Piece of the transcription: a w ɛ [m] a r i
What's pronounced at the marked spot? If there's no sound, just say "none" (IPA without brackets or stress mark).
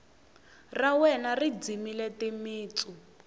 n